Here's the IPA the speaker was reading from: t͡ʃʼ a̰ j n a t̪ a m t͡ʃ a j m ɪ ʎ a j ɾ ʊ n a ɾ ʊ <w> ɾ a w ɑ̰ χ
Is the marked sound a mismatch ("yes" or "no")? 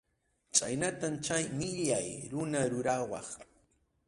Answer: yes